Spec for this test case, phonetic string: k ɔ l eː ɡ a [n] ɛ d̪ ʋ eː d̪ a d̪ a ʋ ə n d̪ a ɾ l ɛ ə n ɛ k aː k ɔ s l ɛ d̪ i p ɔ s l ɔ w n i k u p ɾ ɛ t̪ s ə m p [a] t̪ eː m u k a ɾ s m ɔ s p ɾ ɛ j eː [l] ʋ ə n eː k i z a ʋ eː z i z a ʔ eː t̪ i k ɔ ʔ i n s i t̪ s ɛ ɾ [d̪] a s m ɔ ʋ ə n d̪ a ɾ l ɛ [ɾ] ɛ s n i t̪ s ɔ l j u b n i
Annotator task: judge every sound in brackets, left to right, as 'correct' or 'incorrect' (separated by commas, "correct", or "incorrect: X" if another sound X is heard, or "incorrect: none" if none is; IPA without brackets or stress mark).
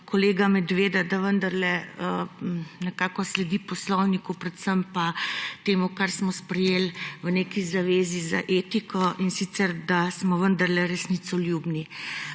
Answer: incorrect: m, correct, correct, correct, correct